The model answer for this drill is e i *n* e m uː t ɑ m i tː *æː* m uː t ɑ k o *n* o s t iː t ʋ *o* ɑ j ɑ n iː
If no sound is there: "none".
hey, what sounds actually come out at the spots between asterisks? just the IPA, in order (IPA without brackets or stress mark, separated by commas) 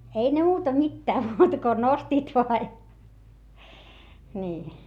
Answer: n, æː, n, o